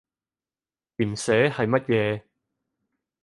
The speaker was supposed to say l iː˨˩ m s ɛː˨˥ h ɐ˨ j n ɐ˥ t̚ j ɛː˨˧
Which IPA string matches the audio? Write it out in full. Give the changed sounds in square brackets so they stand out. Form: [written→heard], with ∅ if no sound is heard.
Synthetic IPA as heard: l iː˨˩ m s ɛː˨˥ h ɐ˨ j [n→m] ɐ˥ t̚ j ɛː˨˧